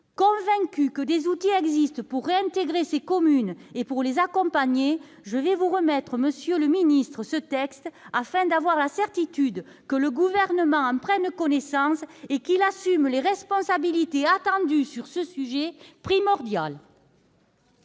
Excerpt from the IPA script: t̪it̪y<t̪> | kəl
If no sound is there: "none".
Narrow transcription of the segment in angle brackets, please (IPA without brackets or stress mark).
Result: d̪